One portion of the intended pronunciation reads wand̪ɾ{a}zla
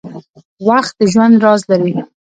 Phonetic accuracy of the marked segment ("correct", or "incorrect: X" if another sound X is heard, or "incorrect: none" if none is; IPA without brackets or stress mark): incorrect: ɑ